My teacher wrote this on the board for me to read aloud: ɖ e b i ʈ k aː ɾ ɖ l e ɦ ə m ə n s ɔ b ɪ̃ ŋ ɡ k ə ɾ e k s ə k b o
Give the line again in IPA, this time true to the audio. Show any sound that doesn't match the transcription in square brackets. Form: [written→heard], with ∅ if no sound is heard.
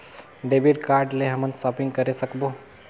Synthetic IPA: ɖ e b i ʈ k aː ɾ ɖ l e ɦ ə m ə n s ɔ [b→p] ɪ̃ ŋ ɡ k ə ɾ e [k→∅] s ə k b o